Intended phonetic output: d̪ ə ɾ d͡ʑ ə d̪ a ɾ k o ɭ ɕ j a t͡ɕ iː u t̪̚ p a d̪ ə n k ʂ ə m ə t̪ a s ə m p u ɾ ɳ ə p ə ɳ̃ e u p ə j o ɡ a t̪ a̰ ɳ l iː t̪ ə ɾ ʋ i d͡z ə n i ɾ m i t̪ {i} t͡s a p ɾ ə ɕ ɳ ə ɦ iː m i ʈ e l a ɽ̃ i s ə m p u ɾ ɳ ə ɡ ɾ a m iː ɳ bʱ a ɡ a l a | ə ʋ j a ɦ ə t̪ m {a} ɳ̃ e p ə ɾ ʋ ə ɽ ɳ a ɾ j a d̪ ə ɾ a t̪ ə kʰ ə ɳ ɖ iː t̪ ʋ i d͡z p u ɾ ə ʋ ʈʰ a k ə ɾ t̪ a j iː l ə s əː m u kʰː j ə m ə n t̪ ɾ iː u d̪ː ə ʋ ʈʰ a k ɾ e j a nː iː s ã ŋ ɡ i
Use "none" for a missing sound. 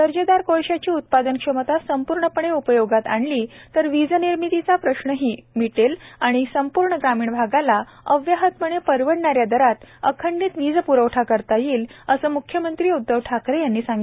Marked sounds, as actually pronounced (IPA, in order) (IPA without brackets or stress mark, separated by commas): i, ə